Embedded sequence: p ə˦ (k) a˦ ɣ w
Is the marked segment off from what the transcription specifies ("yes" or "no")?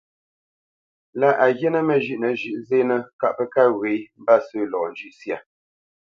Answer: no